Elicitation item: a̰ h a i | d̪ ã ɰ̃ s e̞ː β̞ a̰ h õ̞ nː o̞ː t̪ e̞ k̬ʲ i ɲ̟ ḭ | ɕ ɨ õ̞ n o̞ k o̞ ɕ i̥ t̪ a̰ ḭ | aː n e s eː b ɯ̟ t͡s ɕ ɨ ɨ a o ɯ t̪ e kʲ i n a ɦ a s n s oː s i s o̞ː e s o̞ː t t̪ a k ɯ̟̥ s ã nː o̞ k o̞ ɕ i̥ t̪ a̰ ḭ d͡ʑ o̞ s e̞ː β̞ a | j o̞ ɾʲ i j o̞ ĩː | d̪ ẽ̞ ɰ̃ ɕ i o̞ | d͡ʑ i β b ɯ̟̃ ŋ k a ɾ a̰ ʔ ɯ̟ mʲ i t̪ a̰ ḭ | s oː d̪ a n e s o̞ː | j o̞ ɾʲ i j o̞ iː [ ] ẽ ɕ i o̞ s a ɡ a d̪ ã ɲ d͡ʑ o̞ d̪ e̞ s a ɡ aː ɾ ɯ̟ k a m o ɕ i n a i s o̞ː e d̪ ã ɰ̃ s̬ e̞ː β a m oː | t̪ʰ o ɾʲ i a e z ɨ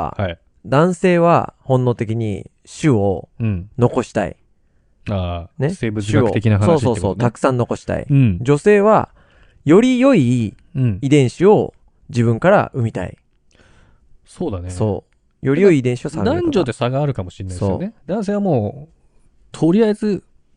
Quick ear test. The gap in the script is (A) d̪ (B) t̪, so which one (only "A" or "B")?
A